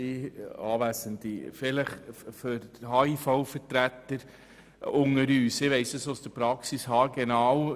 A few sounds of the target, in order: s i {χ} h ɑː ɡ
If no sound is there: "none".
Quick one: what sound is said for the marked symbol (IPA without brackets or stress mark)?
s